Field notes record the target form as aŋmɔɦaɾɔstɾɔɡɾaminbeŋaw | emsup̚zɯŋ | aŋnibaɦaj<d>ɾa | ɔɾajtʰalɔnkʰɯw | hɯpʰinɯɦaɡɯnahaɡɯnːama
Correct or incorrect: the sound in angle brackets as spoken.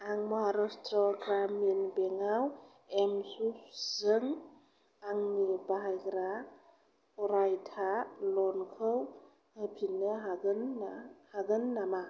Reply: incorrect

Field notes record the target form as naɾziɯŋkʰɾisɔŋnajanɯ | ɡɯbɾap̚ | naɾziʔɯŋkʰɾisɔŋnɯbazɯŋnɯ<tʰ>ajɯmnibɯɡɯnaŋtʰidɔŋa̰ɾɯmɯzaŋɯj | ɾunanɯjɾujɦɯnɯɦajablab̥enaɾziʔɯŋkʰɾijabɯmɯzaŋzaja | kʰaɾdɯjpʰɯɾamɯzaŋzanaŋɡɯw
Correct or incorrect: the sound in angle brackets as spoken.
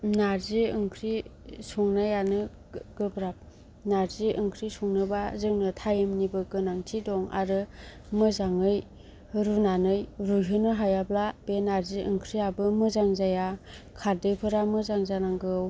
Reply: correct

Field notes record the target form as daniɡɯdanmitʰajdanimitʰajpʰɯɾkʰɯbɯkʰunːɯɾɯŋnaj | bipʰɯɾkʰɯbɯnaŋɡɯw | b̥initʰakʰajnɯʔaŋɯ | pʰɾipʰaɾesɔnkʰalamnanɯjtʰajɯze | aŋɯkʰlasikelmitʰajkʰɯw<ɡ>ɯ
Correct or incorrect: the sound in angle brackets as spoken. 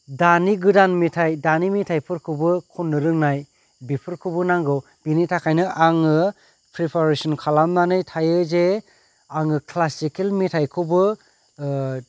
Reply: incorrect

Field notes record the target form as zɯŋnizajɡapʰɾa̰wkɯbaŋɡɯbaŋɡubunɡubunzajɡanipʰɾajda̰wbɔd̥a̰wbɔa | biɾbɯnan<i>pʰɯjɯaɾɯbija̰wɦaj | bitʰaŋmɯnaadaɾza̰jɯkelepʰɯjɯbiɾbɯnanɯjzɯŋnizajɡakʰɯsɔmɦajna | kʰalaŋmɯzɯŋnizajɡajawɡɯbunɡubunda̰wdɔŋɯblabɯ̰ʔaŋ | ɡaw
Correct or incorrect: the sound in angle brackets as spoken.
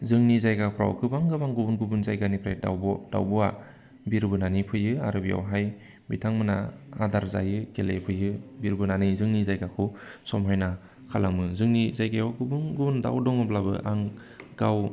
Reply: correct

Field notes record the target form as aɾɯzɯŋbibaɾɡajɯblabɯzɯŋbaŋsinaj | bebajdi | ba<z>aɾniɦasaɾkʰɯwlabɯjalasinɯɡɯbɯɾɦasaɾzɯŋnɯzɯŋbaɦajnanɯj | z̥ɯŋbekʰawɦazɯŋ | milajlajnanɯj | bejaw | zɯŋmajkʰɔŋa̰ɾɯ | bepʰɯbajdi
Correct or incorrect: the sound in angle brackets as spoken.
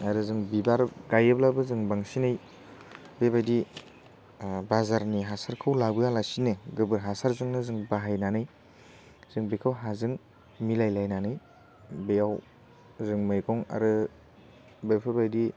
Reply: correct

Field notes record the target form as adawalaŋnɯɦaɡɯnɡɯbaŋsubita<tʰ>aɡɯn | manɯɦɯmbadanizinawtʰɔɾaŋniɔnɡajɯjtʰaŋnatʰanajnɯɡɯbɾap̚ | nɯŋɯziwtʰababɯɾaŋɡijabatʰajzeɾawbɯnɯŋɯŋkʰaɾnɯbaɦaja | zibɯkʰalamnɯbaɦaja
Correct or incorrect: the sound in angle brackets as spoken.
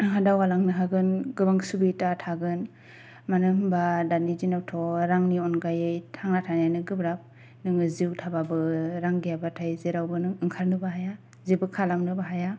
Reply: correct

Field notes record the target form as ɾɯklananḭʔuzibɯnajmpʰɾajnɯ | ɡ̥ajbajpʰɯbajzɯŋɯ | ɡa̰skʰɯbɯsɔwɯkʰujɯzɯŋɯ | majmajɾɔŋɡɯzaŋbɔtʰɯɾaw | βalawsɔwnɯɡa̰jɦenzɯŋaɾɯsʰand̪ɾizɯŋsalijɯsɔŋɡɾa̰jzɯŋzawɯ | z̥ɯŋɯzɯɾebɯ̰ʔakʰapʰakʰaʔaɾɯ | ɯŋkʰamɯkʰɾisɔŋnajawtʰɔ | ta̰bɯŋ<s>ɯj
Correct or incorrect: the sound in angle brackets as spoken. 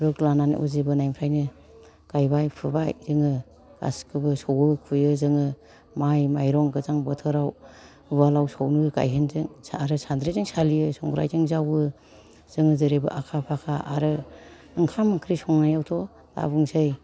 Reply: correct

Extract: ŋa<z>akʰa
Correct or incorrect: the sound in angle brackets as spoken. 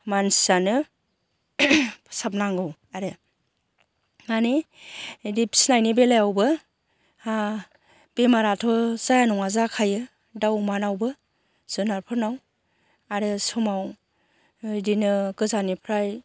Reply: correct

